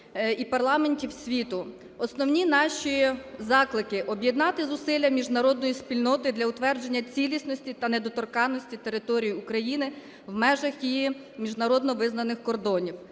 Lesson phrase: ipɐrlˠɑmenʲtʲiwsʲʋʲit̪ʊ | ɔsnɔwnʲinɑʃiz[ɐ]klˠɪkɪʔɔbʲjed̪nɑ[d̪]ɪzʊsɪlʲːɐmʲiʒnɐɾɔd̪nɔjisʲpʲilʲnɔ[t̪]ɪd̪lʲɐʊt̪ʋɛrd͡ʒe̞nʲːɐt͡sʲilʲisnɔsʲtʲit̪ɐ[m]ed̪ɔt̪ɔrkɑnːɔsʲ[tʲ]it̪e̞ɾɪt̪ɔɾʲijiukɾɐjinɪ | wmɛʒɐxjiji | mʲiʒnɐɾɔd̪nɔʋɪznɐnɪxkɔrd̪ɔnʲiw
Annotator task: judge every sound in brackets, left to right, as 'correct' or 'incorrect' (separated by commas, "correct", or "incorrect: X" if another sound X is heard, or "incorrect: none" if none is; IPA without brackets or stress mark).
incorrect: ɑ, incorrect: t̪, correct, incorrect: n, correct